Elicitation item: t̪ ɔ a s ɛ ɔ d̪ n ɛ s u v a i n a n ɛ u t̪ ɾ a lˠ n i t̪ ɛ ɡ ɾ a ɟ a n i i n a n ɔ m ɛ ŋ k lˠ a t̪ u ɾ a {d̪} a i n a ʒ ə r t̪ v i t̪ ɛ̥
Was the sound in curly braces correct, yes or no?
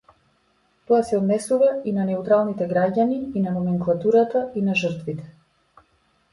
no